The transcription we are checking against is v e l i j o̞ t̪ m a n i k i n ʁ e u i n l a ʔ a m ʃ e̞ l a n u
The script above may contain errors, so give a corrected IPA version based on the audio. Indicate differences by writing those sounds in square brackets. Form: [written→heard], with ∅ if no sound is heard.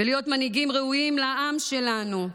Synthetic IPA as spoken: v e l i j o̞ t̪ m a n i [k→ɡ] i [n→m] ʁ e u i [n→m] l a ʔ a m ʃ e̞ l a n u